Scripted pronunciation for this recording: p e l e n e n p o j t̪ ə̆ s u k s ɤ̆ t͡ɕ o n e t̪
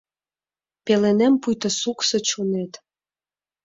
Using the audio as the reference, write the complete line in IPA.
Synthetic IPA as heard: p e l e n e m p u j t̪ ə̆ s u k s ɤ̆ t͡ɕ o n e t̪